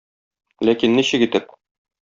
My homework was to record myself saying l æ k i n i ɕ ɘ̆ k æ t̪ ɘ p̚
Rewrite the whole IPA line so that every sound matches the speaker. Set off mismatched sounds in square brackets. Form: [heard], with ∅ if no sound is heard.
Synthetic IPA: l æ k i [nː] i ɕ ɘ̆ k [i] t̪ ɘ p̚